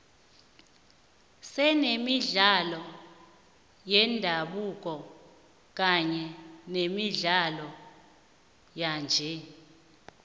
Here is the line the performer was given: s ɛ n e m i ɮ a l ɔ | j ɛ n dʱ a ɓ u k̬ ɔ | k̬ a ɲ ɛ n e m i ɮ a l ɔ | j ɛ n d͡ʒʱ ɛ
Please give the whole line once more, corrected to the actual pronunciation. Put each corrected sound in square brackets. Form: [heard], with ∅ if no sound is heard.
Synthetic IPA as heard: s ɛ n e m i ɮ a l ɔ | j ɛ n dʱ a ɓ u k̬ ɔ | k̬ a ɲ ɛ n e m i ɮ a l ɔ | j [a] n d͡ʒʱ ɛ